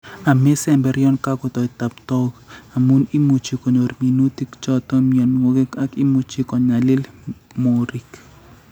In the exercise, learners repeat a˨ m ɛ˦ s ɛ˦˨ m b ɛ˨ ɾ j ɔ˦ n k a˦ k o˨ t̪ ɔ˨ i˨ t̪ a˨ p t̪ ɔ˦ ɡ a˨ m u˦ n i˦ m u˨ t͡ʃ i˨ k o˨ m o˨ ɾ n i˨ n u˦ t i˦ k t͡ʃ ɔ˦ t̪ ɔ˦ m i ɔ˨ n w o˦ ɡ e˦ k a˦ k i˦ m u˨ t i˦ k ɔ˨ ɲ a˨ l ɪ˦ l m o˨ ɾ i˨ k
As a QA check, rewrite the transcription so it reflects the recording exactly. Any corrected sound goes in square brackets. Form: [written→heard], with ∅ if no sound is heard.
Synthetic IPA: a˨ m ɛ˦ s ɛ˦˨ m b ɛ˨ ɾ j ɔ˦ n k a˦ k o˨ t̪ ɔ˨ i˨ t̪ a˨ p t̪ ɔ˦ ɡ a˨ m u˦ n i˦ m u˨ t͡ʃ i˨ k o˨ [m→ɲ] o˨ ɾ [n→m] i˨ n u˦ t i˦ k t͡ʃ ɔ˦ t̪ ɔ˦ m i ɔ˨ n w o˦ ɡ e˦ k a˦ k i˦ m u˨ [t→t͡ʃ] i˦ k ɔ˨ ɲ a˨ l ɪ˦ l m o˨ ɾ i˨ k